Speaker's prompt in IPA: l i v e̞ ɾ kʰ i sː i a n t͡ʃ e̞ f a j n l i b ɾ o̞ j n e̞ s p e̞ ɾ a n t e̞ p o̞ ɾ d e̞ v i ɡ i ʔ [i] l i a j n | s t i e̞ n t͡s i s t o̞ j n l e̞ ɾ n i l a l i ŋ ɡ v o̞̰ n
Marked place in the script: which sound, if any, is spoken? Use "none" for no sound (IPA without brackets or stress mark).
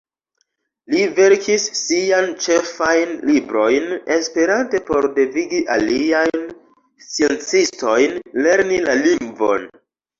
a